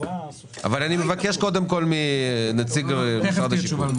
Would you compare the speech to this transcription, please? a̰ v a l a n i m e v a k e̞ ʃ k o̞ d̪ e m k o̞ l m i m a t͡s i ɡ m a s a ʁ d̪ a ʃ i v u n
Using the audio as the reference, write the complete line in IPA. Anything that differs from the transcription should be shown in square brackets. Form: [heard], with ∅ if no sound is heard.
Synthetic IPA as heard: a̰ v a l a n i m e v a k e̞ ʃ k o̞ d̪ e m k o̞ l m i [n] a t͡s i ɡ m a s a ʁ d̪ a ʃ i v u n